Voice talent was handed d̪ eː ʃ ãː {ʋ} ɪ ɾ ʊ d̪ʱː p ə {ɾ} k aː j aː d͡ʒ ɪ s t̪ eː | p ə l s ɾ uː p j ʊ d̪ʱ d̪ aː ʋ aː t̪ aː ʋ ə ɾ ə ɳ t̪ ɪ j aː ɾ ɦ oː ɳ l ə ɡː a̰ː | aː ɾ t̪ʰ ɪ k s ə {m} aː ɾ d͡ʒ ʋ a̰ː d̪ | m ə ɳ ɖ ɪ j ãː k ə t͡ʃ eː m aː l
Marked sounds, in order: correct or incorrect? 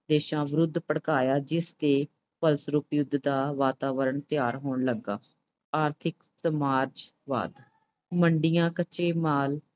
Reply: correct, incorrect, correct

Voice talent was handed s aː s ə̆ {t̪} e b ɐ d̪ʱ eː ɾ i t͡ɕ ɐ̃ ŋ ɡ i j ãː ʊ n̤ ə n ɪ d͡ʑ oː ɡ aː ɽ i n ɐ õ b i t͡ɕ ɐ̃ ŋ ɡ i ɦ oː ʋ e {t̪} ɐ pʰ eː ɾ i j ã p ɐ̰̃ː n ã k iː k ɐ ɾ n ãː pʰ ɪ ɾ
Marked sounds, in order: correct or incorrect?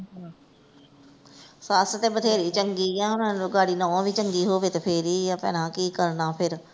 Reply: correct, correct

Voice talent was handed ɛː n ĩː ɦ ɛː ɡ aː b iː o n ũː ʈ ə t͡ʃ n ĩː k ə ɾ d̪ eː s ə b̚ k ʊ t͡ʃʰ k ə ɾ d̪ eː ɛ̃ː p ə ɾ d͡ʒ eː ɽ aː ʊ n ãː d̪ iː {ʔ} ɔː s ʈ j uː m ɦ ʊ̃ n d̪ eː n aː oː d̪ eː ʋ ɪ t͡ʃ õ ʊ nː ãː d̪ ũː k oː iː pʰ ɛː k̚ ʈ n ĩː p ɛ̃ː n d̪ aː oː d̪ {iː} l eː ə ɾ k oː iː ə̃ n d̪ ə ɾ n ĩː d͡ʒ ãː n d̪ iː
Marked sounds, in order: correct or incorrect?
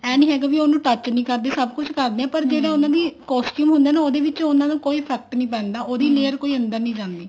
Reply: incorrect, correct

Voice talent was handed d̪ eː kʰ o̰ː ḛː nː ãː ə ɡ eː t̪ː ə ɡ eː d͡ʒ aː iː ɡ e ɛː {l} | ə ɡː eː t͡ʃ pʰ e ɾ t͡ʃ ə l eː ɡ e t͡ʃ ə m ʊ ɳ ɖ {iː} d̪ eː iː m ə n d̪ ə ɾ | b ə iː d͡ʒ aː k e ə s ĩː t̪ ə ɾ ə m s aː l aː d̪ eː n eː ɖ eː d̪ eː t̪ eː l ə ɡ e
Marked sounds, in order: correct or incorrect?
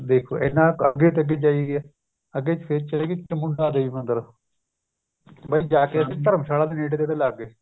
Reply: incorrect, incorrect

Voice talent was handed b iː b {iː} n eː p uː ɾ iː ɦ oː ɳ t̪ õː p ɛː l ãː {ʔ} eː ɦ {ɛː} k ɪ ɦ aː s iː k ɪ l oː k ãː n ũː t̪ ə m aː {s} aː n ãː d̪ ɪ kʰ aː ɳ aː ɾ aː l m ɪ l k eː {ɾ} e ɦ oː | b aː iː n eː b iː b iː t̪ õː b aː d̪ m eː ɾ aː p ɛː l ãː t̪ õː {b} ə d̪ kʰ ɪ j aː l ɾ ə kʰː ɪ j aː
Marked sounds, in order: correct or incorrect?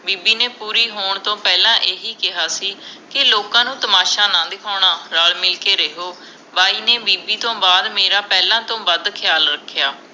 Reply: correct, correct, incorrect, incorrect, correct, correct

